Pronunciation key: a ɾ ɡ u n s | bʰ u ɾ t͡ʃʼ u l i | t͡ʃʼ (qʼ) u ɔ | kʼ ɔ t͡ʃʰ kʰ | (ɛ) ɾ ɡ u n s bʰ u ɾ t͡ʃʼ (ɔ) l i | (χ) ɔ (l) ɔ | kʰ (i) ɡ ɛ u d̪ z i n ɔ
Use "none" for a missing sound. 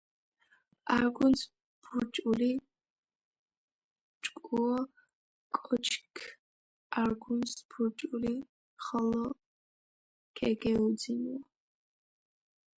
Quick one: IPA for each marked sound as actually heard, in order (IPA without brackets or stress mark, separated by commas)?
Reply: kʼ, a, u, χ, l, ɛ